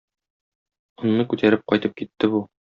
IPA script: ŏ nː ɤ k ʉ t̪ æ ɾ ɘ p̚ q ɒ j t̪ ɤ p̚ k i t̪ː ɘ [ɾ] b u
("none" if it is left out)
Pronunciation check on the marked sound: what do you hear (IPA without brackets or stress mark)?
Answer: none